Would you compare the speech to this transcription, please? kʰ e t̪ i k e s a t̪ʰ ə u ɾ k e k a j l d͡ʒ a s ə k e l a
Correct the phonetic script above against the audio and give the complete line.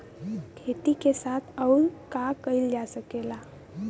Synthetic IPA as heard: kʰ e t̪ i k e s a t̪ʰ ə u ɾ k a k ə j l d͡ʒ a s ə k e l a